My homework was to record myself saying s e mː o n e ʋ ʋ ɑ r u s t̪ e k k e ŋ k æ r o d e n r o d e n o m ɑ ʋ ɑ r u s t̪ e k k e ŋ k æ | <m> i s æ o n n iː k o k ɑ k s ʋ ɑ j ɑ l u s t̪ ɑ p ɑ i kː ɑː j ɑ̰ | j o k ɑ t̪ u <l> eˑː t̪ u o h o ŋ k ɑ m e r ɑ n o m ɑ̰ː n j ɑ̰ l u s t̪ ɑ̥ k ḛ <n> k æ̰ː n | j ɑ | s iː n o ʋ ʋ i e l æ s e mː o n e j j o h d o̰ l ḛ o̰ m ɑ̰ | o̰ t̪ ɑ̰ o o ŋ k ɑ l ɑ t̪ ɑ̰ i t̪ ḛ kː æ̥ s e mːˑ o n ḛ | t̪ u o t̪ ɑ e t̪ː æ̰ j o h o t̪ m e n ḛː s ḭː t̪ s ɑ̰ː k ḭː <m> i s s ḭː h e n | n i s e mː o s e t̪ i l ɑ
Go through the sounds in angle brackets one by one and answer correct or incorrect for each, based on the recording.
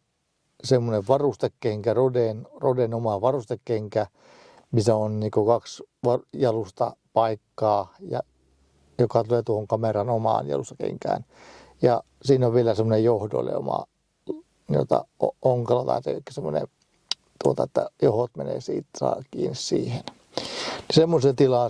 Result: correct, correct, incorrect: ŋ, incorrect: n

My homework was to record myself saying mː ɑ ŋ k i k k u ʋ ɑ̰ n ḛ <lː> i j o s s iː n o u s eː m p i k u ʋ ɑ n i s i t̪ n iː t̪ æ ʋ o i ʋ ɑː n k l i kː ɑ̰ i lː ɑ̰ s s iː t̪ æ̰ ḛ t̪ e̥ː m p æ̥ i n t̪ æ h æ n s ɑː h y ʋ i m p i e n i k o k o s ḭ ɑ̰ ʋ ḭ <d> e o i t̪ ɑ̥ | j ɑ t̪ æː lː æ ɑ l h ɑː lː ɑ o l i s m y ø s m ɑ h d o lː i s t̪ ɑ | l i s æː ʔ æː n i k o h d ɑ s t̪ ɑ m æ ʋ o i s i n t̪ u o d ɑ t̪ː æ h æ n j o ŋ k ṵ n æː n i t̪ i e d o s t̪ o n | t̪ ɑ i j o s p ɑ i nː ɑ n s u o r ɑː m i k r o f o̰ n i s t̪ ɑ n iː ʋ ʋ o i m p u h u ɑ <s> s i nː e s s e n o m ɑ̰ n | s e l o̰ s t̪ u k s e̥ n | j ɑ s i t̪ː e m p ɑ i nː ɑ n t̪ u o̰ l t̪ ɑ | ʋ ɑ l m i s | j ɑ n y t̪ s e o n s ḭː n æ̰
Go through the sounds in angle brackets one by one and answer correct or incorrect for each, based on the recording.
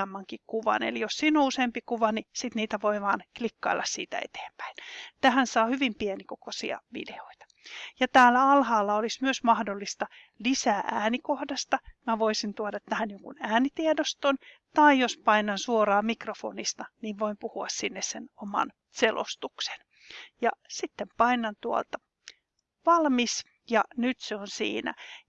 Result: incorrect: l, correct, correct

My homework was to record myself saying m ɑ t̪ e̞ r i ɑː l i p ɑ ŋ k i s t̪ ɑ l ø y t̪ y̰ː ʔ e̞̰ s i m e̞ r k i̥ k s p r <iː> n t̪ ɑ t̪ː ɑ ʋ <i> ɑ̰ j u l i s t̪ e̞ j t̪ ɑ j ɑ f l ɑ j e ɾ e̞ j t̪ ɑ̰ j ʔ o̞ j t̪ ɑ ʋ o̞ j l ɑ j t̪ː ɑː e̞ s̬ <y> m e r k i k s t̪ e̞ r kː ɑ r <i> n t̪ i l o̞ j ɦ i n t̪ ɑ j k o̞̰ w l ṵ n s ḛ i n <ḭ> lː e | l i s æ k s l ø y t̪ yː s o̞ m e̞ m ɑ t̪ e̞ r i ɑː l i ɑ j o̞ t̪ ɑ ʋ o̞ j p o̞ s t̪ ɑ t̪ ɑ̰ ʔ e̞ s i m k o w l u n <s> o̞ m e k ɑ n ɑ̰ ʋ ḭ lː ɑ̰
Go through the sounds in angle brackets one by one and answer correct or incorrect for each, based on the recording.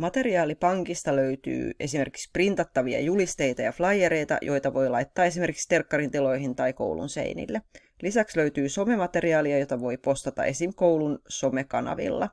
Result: incorrect: i, correct, incorrect: i, correct, correct, correct

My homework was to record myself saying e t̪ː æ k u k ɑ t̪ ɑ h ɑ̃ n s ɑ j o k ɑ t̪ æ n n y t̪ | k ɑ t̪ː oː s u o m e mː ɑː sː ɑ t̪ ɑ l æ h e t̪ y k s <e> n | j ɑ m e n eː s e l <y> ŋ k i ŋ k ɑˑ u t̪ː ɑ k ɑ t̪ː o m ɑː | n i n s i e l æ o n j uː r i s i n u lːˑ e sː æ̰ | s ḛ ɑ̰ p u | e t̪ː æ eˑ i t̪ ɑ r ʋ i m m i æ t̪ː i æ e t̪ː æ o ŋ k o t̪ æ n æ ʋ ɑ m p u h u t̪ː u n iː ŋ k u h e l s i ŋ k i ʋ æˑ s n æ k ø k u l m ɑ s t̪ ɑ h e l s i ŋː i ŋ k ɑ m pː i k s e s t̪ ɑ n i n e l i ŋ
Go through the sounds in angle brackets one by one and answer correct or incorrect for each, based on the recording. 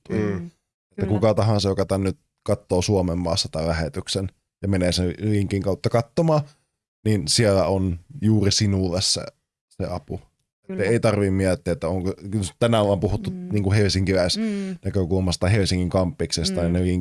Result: correct, incorrect: i

